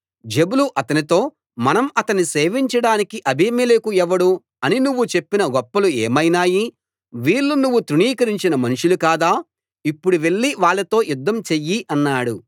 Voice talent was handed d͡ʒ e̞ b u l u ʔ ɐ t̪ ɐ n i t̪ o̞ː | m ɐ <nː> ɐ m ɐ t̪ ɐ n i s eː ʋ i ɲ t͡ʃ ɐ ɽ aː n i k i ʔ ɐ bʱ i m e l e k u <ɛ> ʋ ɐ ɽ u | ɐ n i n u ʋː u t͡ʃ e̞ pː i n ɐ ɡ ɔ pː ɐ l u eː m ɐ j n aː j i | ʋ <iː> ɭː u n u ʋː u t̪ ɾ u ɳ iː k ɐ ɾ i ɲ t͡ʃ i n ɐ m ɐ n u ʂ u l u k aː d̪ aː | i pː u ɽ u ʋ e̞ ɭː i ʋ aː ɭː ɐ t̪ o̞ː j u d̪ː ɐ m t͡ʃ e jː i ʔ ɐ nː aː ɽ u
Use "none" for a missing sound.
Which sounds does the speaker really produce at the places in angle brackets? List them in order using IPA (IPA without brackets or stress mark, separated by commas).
n, ɛ, iː